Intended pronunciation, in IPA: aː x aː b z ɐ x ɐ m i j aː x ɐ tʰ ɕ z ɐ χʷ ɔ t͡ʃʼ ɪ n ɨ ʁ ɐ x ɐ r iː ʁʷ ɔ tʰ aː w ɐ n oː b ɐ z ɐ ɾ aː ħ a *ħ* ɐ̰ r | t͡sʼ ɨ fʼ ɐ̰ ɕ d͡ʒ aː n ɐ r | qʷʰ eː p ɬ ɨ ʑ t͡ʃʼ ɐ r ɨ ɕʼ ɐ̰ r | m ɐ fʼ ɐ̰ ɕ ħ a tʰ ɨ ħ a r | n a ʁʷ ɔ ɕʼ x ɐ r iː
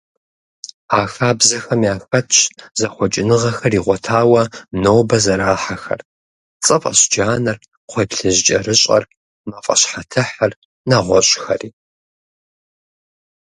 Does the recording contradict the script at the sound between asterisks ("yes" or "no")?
yes